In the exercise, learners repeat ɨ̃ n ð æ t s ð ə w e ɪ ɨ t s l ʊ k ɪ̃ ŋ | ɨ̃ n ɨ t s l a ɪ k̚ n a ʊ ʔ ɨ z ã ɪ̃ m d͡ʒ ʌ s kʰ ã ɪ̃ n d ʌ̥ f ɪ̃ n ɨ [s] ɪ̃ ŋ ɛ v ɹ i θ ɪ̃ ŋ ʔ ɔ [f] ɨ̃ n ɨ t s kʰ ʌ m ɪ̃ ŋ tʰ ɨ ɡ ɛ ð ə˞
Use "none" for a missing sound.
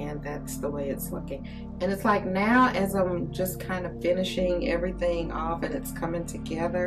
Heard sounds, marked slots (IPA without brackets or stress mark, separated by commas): ʃ, f